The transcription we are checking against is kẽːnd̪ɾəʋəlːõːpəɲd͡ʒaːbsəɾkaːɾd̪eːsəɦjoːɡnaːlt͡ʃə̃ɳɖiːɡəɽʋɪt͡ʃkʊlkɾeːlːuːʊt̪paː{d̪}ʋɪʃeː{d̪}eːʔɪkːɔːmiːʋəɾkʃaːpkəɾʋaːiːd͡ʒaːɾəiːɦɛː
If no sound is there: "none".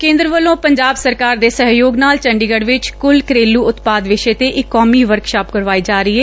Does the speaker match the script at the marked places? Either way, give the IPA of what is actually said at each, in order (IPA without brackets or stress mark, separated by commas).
d̪, t̪